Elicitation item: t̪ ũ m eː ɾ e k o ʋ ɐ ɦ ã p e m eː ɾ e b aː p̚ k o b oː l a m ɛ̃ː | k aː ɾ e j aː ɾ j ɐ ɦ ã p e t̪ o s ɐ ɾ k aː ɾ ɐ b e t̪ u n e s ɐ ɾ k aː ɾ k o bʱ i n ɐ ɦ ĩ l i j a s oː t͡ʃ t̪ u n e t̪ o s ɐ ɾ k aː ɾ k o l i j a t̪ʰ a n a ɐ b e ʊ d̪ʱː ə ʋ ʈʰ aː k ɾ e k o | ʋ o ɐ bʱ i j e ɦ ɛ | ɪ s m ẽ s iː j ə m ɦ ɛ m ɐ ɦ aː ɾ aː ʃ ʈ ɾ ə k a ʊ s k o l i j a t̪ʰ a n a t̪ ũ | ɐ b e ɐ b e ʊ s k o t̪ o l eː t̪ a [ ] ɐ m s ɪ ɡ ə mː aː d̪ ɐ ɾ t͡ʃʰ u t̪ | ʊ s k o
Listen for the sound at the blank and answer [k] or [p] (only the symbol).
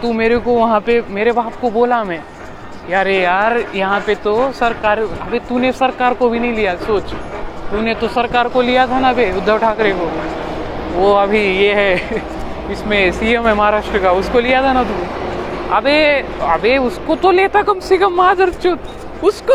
k